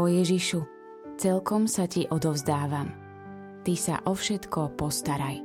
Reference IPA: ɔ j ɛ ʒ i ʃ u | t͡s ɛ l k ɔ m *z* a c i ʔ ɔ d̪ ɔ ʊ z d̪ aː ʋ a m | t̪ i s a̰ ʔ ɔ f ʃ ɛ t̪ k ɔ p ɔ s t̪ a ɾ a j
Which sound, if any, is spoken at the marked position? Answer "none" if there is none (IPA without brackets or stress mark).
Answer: s